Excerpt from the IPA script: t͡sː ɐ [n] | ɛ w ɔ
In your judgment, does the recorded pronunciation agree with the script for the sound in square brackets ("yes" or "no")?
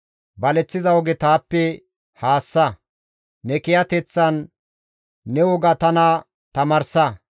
no